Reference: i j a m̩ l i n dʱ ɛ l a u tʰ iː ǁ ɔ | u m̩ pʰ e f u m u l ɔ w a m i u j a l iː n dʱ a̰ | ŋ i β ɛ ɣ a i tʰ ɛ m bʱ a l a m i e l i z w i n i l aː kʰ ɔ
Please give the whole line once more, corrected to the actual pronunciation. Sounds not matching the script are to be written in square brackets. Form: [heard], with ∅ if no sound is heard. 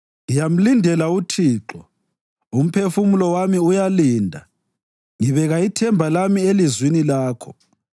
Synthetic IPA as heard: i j a m̩ l i n dʱ ɛ l a u tʰ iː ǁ ɔ | u m̩ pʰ e f u m u l ɔ w a m i u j a l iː n dʱ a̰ | ŋ i β ɛ ɣ a i tʰ ɛ m bʱ a l a m i e l i z w i n i l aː kʰ ɔ